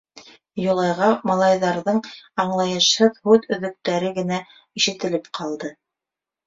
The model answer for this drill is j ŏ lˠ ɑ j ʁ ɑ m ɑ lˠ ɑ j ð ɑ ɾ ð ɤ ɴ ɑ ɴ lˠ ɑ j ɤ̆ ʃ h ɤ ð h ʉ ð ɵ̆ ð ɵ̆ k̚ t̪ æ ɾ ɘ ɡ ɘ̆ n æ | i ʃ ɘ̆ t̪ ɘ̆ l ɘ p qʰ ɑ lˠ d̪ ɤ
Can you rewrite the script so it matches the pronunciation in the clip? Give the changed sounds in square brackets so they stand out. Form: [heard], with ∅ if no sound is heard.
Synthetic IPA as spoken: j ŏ lˠ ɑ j ʁ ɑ m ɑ lˠ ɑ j ð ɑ ɾ ð ɤ ɴ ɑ ɴ lˠ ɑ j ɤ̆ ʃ h ɤ ð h ʉ ð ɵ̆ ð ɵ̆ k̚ t̪ æ ɾ ɘ ɡ ɘ̆ n æ | i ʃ ɘ̆ t̪ ɘ̆ l ɘ p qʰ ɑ lˠ d̪ ɤ